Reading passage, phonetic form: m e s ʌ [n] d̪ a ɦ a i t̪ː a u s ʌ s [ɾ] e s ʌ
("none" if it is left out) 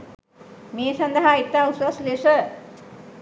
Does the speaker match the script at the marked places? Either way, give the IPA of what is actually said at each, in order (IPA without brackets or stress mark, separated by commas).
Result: n, l